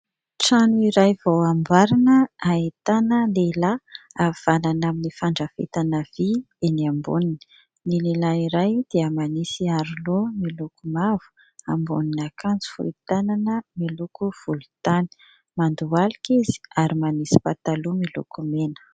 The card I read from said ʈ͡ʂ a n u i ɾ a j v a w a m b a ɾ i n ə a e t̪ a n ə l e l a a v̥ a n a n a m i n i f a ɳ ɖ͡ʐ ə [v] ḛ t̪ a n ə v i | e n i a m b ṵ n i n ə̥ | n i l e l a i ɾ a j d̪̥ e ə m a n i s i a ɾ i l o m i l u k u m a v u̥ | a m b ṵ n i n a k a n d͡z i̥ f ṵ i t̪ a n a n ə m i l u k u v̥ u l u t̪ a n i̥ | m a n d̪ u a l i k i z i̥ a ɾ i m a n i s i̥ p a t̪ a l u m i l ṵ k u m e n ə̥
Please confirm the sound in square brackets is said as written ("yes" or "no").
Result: no